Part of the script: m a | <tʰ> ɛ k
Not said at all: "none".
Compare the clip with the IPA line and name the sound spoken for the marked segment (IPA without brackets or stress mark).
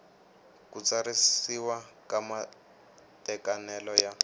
t